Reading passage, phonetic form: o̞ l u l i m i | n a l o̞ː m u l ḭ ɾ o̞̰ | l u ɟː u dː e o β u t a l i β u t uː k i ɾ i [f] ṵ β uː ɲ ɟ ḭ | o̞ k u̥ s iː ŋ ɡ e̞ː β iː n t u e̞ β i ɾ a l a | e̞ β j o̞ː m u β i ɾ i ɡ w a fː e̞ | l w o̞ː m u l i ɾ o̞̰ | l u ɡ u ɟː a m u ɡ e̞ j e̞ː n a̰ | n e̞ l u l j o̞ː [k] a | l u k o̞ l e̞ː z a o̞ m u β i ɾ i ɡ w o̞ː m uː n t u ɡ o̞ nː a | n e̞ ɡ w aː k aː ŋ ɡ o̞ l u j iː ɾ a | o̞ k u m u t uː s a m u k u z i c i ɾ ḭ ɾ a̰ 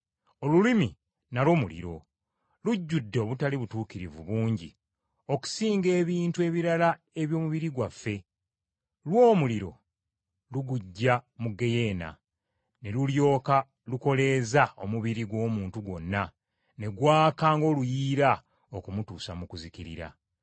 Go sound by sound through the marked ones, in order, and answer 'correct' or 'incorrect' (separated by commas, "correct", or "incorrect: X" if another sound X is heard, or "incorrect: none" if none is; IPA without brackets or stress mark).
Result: incorrect: v, correct